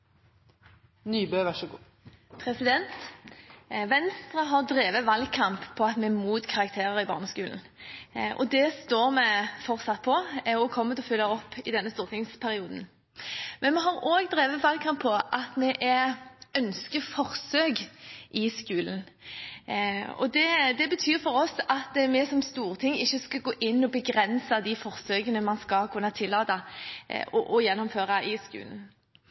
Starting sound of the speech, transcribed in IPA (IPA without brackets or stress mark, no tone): n